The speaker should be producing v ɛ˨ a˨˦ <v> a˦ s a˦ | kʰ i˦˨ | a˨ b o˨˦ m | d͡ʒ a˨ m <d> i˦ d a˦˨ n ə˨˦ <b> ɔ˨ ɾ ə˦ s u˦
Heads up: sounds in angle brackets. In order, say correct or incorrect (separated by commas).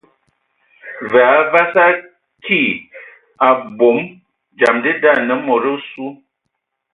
correct, correct, incorrect